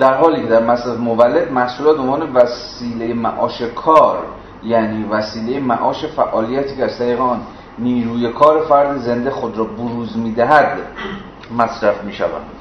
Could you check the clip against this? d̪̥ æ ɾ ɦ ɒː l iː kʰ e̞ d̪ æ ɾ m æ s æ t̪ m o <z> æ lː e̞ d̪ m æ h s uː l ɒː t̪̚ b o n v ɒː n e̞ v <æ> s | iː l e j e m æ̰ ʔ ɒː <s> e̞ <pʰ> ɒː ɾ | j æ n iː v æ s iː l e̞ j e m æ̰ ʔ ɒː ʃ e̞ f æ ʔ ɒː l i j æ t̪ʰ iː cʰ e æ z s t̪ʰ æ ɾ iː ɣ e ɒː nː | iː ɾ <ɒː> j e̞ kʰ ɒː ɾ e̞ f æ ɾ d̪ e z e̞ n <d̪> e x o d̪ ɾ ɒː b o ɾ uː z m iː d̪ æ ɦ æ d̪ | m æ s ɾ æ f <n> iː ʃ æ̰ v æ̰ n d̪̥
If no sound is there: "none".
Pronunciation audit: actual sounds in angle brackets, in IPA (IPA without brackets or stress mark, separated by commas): v, æ, ʃ, kʰ, uː, d̪, m